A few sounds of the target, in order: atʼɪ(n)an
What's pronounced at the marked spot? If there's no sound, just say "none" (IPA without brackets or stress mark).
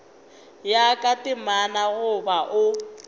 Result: m